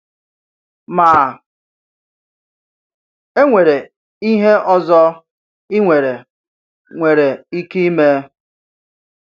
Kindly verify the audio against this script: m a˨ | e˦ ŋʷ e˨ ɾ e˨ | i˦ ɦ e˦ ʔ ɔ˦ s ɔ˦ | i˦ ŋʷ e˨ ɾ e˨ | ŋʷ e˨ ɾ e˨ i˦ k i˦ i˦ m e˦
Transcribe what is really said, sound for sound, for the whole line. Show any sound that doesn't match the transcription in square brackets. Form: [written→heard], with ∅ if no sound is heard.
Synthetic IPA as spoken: m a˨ | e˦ ŋʷ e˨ ɾ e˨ | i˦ ɦ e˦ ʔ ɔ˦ [s→z] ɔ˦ | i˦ ŋʷ e˨ ɾ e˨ | ŋʷ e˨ ɾ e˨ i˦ k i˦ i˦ m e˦